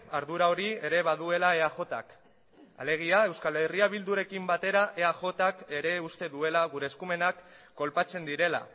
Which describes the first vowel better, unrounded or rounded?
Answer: unrounded